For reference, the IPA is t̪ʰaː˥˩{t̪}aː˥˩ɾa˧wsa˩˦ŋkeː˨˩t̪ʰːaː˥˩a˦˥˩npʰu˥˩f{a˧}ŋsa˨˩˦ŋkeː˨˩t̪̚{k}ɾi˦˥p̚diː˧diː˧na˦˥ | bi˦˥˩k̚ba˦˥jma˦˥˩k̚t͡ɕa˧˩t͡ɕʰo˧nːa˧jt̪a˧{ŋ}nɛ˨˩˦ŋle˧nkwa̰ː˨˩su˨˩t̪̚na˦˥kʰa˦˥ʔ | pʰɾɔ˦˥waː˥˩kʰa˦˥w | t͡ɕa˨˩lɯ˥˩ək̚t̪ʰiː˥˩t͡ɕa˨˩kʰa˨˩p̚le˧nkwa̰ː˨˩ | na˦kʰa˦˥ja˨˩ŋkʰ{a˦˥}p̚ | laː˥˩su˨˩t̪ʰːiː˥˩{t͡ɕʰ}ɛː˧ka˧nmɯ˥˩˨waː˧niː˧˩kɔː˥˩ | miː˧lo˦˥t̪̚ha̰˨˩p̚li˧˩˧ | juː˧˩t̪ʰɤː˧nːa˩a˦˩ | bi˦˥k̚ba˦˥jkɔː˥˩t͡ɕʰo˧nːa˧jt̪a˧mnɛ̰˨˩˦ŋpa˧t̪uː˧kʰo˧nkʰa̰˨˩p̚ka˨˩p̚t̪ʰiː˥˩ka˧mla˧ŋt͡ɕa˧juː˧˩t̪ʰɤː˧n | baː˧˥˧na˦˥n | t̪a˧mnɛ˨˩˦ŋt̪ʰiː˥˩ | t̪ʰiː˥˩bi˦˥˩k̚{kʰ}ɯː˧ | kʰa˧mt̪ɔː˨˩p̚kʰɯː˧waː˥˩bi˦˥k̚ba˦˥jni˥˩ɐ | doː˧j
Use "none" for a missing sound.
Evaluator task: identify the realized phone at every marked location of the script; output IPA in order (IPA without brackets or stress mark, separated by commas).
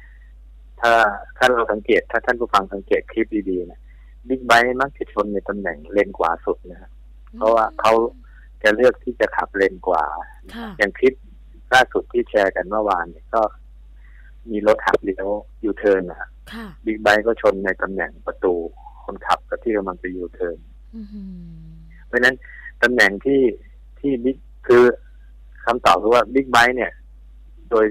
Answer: t̪ʰ, a˧, kʰ, m, i˦˥, t͡ɕʰ, kʰ